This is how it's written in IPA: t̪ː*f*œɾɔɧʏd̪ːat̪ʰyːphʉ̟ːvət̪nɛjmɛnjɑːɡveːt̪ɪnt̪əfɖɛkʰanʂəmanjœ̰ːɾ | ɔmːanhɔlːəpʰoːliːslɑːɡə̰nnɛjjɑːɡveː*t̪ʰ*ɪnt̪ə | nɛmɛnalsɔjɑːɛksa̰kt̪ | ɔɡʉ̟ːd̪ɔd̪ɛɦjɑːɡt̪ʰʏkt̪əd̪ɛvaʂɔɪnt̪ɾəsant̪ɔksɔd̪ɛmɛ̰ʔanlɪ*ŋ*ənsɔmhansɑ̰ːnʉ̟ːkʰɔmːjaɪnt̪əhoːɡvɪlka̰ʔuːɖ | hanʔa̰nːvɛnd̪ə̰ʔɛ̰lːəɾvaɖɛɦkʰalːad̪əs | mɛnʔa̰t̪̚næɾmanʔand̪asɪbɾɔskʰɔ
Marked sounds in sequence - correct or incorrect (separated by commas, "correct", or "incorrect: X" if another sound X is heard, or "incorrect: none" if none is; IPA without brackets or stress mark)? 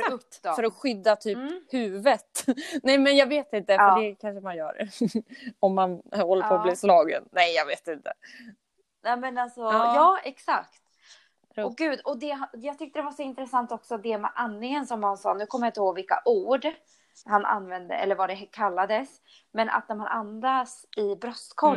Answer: correct, incorrect: t̪, correct